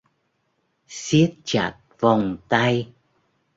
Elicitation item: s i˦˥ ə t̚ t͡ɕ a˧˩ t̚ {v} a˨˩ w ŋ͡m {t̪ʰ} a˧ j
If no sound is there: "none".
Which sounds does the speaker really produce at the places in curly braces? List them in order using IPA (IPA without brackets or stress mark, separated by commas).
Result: v, t̪